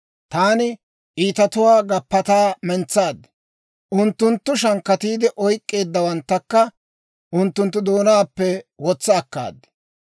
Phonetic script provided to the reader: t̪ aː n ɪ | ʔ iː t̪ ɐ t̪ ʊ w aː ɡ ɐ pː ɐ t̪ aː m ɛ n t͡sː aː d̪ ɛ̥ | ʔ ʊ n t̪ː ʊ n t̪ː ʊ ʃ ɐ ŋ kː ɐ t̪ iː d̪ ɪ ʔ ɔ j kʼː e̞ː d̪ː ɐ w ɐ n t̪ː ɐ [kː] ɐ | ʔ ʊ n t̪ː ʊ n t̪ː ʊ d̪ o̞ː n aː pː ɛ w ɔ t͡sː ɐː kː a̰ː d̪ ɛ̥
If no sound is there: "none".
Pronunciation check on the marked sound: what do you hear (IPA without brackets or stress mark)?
kː